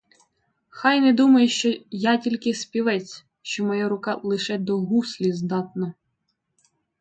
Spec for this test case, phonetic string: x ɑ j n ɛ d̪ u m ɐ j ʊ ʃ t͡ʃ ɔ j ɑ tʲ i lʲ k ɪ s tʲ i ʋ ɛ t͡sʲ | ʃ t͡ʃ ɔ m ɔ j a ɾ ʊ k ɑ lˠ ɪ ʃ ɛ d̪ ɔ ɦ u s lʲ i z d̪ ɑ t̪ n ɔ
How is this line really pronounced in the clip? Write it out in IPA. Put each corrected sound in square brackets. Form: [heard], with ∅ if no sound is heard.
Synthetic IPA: x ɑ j n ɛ d̪ u m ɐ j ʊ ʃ t͡ʃ ɔ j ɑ tʲ i lʲ k ɪ s [pʲ] i ʋ ɛ t͡sʲ | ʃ t͡ʃ ɔ m ɔ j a ɾ ʊ k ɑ lˠ ɪ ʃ ɛ d̪ ɔ ɦ u s lʲ i z d̪ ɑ t̪ n ɔ